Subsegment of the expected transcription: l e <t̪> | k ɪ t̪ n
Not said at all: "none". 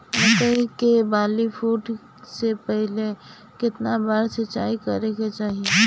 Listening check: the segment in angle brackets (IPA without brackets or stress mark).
none